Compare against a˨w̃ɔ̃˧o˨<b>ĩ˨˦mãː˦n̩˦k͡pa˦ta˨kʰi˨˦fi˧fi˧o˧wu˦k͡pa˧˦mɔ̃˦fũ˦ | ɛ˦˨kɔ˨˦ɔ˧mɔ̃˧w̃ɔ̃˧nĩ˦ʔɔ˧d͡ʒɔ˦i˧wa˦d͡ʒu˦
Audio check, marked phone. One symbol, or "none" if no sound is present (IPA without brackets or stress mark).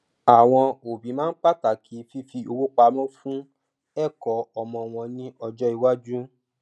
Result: b